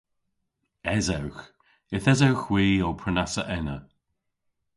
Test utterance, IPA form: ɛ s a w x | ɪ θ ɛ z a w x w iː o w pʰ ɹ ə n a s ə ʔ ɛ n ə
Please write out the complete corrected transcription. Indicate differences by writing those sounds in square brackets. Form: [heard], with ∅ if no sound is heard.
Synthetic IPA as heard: ɛ [z] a w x | ɪ θ ɛ z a w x w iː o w pʰ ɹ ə n a s ə ʔ ɛ n ə